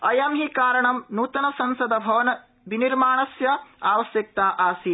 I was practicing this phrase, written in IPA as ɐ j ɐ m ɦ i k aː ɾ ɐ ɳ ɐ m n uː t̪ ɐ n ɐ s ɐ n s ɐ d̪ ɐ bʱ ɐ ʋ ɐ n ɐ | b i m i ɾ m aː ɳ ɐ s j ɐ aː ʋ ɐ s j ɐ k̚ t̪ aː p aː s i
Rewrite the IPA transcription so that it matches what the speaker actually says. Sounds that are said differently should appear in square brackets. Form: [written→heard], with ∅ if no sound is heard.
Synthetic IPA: ɐ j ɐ m ɦ i k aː ɾ ɐ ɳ ɐ m n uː t̪ ɐ n ɐ s ɐ n s ɐ d̪ ɐ bʱ ɐ ʋ ɐ n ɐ | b i [m→n] i ɾ m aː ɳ ɐ s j ɐ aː ʋ ɐ s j ɐ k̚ t̪ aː [p→ʔ] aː s i